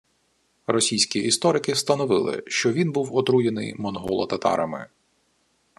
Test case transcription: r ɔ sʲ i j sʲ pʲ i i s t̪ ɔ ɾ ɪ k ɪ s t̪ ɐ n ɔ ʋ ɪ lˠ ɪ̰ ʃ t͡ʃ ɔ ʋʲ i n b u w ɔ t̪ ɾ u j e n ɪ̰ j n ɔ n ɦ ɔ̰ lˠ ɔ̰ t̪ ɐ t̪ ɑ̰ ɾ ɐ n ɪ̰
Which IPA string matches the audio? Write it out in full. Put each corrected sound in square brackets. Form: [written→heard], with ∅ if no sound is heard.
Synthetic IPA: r ɔ sʲ i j sʲ [pʲ→kʲ] i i s t̪ ɔ ɾ ɪ k ɪ s t̪ ɐ n ɔ ʋ ɪ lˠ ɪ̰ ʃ t͡ʃ ɔ ʋʲ i n b u w ɔ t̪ ɾ u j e n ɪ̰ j [n→m] ɔ n ɦ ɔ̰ lˠ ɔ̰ t̪ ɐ t̪ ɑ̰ ɾ ɐ [n→m] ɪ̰

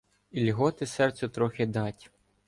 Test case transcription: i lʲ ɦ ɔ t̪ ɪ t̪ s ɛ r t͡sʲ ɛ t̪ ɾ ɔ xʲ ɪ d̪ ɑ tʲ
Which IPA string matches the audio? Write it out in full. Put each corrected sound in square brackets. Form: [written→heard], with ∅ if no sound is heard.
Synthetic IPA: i lʲ ɦ ɔ t̪ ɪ [t̪→∅] s ɛ r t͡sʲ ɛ t̪ ɾ ɔ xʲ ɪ d̪ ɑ tʲ

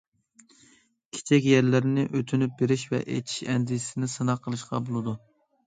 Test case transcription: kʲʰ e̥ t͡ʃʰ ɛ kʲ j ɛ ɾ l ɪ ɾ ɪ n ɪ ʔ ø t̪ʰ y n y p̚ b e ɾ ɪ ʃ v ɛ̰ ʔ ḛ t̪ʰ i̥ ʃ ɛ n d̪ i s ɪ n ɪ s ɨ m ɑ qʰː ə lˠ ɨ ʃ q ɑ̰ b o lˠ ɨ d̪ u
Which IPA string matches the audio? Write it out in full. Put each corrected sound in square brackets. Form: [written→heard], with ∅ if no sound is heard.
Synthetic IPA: kʲʰ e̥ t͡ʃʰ ɛ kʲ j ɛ ɾ l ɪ ɾ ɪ n ɪ ʔ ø t̪ʰ y n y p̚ b e ɾ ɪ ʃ v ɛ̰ ʔ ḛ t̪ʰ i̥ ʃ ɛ n d̪ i s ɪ n ɪ s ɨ [m→n] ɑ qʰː ə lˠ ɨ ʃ q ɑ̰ b o lˠ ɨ d̪ u

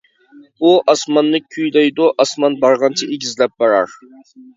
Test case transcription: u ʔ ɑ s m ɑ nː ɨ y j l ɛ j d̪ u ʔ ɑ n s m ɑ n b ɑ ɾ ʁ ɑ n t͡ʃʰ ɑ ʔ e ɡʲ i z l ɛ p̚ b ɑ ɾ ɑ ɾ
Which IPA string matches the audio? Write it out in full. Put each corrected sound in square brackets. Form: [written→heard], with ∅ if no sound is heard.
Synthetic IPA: u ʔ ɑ s m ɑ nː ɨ y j l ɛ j d̪ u ʔ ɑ [n→∅] s m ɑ n b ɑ ɾ ʁ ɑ n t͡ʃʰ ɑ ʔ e ɡʲ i z l ɛ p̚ b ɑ ɾ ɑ ɾ

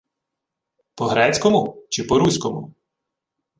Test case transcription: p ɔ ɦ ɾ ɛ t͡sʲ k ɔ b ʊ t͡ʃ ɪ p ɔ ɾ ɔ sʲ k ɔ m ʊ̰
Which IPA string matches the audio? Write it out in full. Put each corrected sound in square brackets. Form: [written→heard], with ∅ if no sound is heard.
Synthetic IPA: p ɔ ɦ ɾ ɛ t͡sʲ k ɔ [b→m] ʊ t͡ʃ ɪ p ɔ ɾ [ɔ→u] sʲ k ɔ m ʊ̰

